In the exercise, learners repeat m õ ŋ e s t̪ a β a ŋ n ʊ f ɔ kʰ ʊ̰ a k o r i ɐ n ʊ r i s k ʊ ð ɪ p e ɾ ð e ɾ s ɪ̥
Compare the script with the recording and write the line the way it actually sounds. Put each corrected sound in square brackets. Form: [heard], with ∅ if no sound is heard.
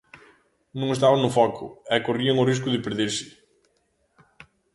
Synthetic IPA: [n] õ ŋ e s t̪ a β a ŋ n ʊ f ɔ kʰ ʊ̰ [ɛ] k o r i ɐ [ŋ] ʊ r i s k ʊ ð ɪ p e ɾ ð e ɾ s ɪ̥

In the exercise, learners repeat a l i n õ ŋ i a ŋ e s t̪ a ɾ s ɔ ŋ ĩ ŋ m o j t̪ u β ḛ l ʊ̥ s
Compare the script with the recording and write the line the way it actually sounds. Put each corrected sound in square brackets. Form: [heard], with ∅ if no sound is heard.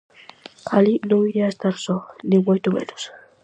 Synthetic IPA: a l i n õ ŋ i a [∅] e s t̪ a ɾ s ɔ [n] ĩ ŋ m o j t̪ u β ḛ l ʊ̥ s

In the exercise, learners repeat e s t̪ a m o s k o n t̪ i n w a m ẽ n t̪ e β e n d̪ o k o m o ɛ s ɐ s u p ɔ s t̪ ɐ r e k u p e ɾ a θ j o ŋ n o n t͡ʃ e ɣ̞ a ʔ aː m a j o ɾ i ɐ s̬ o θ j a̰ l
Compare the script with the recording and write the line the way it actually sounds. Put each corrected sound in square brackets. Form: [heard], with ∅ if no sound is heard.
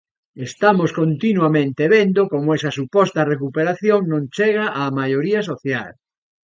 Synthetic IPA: e s t̪ a m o s k o n t̪ i n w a m ẽ n t̪ e β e n d̪ o k o m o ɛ s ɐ s u p ɔ s t̪ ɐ r e k u p e ɾ a θ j o ŋ n [õ] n t͡ʃ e ɣ̞ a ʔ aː m a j o ɾ i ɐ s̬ o θ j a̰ l

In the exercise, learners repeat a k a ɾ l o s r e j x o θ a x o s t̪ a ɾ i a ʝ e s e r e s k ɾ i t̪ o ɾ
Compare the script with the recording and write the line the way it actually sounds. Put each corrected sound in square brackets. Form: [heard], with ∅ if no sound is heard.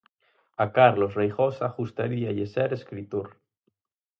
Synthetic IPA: a k a ɾ l o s r e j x o [s] a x [u] s t̪ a ɾ i a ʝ e s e [ɾ] e s k ɾ i t̪ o ɾ

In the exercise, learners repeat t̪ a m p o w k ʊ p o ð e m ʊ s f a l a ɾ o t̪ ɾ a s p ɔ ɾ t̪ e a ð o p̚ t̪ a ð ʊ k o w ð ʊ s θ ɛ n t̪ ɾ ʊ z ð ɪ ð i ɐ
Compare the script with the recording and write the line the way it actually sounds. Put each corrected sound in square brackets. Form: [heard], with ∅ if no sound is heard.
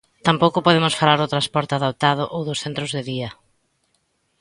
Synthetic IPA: t̪ a m p o w k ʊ p o ð e m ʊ s f a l a ɾ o t̪ ɾ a s p ɔ ɾ t̪ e a ð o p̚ t̪ a ð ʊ [ʔ] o w ð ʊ s θ [e] n t̪ ɾ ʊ z ð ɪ ð i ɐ

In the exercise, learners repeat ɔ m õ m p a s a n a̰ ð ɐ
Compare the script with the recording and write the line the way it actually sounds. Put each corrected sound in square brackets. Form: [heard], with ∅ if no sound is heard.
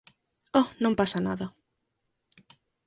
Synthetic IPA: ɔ [n] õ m p a s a n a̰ ð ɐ

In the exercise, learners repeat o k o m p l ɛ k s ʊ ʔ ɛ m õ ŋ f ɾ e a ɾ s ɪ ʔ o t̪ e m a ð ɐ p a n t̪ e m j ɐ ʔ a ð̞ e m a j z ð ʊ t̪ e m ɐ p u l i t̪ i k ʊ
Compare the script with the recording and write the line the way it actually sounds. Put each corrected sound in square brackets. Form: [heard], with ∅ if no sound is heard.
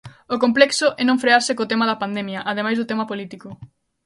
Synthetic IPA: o k o m p l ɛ k s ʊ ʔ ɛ [n] õ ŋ f ɾ e a ɾ s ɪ [k] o t̪ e m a ð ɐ p a n [d̪] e m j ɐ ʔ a ð̞ e m a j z ð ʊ t̪ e m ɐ p [o] l i t̪ i k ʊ

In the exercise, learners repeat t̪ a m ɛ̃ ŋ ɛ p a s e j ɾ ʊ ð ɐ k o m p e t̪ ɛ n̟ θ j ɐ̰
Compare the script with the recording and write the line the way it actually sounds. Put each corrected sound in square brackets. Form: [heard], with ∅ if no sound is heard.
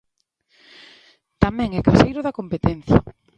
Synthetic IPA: t̪ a m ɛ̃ ŋ ɛ [k] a s e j ɾ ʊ ð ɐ k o m p e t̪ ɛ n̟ θ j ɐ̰

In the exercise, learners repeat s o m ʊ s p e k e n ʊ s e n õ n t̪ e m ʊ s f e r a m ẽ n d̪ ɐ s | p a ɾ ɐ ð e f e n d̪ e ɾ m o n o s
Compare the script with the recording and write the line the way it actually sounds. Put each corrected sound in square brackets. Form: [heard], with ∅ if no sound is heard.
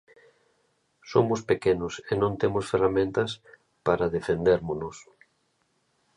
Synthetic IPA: s o m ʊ s p e k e n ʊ s e n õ n t̪ e m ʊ s f e r a m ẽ n [t̪] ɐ s | p a ɾ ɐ ð e f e n d̪ e ɾ m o n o s

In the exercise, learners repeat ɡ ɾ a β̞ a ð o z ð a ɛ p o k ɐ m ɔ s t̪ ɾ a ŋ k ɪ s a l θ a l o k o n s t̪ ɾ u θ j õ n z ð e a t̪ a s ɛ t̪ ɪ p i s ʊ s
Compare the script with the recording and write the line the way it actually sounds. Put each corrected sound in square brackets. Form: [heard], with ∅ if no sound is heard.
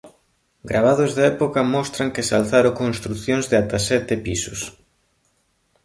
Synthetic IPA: ɡ ɾ a β̞ a ð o z ð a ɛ p o k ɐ m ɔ s t̪ ɾ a ŋ k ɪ s a l θ a [ɾ] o k o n s t̪ ɾ u θ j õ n z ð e a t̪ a s ɛ t̪ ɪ p i s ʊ s

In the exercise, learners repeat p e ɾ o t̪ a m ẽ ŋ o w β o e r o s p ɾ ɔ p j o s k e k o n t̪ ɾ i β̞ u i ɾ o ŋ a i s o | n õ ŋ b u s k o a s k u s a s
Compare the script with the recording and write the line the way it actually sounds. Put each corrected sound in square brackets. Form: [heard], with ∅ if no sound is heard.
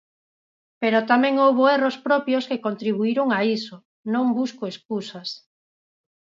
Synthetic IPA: p e ɾ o t̪ a m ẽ ŋ o w β o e r o s p ɾ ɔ p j o s k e k o n t̪ ɾ i β̞ u i ɾ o ŋ a i s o | n õ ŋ b u s k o [e] s k u s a s

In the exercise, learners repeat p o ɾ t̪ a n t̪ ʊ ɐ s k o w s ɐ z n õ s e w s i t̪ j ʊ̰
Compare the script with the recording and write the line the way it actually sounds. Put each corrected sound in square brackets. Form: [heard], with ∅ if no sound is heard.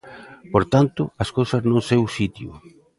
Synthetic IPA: p o ɾ t̪ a n t̪ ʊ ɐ s k o w s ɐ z n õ s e w s i t̪ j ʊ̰

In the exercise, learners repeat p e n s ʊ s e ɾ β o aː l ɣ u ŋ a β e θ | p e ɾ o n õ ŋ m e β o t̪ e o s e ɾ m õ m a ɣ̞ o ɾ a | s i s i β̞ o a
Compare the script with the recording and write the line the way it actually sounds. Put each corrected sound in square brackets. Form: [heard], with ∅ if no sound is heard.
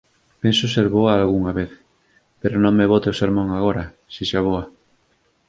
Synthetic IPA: p e n s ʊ s e ɾ β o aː l ɣ u ŋ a β e θ | p e ɾ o n õ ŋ m e β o t̪ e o s e ɾ m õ [ŋ] a ɣ̞ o ɾ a | s i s [a] β̞ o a

